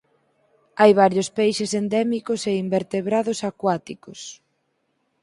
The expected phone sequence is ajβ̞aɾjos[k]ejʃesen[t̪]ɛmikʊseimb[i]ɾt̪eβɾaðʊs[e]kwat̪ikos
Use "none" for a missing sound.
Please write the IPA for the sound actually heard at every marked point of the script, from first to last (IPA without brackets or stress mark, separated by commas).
p, d̪, e, a